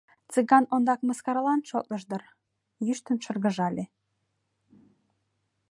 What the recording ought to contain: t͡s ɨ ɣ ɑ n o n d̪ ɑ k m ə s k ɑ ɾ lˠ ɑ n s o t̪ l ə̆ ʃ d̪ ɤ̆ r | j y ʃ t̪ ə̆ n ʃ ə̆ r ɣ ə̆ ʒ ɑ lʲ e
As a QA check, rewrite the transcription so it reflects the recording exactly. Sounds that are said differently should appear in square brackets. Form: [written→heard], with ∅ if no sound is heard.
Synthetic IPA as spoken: t͡s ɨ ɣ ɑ n o n d̪ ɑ k m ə s k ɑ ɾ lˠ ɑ n [s→ʃ] o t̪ l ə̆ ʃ d̪ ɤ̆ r | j y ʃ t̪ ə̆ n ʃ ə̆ r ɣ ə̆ ʒ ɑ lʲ e